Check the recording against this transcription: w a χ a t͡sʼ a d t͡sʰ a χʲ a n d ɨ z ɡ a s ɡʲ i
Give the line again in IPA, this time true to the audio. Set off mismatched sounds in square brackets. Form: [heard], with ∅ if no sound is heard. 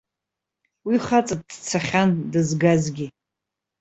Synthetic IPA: w [i] χ a t͡sʼ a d t͡sʰ a χʲ a n d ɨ z ɡ a [z] ɡʲ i